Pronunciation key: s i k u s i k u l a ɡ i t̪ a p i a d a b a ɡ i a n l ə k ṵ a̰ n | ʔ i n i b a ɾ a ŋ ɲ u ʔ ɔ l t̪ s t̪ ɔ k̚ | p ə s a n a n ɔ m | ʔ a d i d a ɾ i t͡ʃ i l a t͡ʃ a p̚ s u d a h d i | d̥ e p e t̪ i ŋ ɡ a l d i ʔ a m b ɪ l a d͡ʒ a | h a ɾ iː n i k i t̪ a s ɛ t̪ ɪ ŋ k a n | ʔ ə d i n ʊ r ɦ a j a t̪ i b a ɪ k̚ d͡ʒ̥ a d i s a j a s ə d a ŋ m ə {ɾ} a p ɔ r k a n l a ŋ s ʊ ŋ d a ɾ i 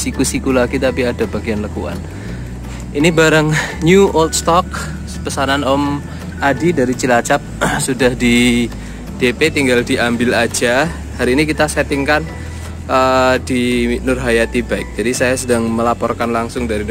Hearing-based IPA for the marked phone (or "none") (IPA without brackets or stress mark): l